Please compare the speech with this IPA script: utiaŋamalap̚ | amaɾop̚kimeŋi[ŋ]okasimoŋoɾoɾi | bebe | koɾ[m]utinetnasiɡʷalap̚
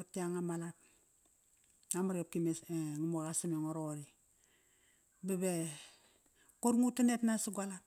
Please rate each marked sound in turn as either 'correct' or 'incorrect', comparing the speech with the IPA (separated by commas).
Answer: incorrect, incorrect